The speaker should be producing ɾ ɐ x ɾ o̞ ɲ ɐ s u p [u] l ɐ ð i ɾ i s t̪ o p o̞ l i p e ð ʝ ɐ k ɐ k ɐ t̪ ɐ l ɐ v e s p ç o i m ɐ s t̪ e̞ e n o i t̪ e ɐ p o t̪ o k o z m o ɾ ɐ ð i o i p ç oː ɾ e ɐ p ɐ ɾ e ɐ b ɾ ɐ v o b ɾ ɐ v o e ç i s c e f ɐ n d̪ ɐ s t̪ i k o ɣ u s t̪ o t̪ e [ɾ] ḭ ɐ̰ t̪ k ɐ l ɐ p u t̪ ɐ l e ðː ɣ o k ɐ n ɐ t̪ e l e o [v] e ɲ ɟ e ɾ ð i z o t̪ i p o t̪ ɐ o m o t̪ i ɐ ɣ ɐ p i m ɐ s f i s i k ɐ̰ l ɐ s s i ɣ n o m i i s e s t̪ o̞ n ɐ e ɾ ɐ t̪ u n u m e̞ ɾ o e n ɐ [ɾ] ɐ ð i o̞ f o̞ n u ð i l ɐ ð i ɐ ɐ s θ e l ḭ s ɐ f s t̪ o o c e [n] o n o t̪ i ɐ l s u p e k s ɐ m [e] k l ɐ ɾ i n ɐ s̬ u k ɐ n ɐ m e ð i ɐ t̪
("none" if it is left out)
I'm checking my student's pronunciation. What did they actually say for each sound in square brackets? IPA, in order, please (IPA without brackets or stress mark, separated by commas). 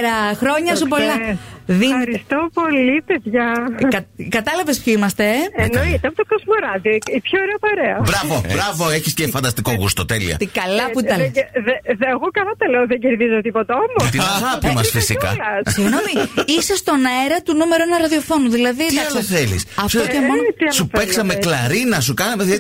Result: o, l, ð, ɾ, m, e